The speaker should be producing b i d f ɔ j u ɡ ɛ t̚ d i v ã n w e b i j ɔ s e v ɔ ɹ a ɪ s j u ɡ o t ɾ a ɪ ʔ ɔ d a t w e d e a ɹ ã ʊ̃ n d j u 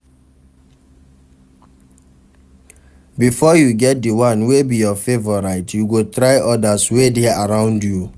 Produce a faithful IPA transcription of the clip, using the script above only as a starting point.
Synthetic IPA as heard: b i f ɔ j u ɡ ɛ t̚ d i w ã n w e b i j ɔ f e v ɔ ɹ a ɪ t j u ɡ o t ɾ a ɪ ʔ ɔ d a s w e d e a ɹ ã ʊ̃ n d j u